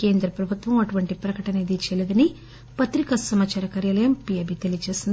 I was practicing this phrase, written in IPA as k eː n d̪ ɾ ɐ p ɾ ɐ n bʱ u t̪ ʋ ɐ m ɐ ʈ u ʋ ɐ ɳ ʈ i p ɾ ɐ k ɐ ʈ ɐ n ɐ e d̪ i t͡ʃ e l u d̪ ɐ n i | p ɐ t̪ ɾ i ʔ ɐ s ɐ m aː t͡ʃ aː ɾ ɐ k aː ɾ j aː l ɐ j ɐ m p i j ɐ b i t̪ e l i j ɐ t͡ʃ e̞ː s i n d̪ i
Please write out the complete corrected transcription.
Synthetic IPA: k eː n d̪ ɾ ɐ p ɾ ɐ bʱ u t̪ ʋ ɐ m ɐ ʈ u ʋ ɐ ɳ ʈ i p ɾ ɐ k ɐ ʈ ɐ n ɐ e d̪ i t͡ʃ e l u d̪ ɐ n i | p ɐ t̪ ɾ i k ɐ s ɐ m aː t͡ʃ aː ɾ ɐ k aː ɾ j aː l ɐ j ɐ m p i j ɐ b i t̪ e l i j ɐ t͡ʃ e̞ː s i n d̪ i